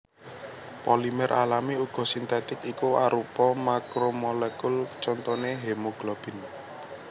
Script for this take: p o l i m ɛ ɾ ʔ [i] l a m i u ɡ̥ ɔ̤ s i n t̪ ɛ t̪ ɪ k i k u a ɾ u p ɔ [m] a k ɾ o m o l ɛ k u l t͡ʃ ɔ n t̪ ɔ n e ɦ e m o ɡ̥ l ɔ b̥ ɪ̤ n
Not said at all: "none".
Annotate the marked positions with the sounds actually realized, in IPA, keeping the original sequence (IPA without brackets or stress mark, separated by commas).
a, m